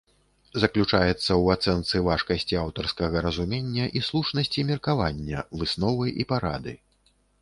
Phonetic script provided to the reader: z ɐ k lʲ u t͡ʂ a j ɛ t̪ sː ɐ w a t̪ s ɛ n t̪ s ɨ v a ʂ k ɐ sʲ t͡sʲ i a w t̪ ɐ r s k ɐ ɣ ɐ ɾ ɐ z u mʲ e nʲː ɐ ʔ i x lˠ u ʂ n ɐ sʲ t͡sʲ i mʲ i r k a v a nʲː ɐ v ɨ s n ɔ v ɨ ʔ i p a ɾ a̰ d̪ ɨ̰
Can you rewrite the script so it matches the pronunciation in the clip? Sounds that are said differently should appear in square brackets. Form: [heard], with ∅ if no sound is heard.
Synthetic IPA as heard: z ɐ k lʲ u t͡ʂ a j ɛ t̪ sː ɐ w a t̪ s ɛ n t̪ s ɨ v a ʂ k ɐ sʲ t͡sʲ i a w t̪ ɐ r s k ɐ ɣ ɐ ɾ ɐ z u mʲ e nʲː ɐ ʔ i [s] lˠ u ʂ n ɐ sʲ t͡sʲ i mʲ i r k a v a nʲː ɐ v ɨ s n ɔ v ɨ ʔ i p a ɾ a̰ d̪ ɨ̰